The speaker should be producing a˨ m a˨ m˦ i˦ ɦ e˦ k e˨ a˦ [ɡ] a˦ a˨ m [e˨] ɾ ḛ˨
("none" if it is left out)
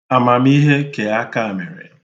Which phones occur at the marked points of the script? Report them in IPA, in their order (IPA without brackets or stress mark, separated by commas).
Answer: k, e˨